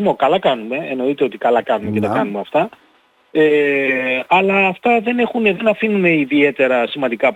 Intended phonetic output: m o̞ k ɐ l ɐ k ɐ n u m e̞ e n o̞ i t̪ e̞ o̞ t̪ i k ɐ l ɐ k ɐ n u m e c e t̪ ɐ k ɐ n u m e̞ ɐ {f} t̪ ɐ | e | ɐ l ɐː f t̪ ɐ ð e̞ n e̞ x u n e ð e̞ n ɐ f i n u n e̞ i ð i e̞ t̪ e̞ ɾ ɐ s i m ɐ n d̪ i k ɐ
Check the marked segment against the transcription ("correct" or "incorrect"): correct